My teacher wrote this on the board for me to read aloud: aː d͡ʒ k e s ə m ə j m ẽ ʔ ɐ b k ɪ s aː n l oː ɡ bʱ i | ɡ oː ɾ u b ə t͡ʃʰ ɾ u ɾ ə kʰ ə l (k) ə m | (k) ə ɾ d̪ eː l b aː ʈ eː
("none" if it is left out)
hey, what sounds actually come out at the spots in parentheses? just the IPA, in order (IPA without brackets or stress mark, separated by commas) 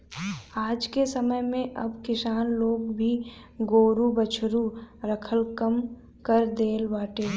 k, k